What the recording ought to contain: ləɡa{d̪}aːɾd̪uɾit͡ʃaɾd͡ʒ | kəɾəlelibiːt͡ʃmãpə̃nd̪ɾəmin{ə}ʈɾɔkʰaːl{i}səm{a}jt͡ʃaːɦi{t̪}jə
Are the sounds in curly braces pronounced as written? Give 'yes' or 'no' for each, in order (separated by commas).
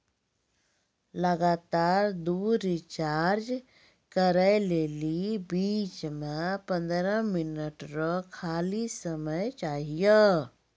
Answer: no, yes, yes, no, no